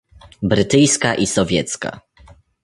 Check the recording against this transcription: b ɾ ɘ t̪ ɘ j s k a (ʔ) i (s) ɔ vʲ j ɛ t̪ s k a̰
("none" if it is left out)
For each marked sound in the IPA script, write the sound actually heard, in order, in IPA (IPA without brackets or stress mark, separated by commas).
ʔ, s